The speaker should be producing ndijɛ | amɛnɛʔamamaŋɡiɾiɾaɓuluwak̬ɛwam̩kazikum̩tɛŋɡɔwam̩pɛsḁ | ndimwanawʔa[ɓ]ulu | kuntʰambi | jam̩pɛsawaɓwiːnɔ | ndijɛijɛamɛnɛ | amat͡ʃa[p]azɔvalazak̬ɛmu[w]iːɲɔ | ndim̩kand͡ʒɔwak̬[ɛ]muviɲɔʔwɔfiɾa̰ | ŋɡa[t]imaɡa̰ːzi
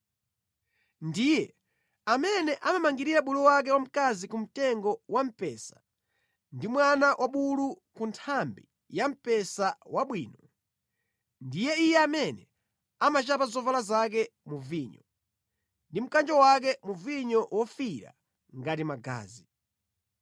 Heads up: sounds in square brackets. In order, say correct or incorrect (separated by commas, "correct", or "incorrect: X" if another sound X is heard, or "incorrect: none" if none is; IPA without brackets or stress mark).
correct, correct, incorrect: v, correct, correct